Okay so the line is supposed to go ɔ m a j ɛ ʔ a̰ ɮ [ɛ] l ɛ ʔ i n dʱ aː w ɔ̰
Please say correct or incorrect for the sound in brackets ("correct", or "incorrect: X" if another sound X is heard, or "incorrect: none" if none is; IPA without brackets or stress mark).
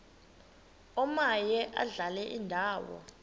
incorrect: a